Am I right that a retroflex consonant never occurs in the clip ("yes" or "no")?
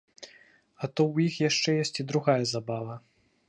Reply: no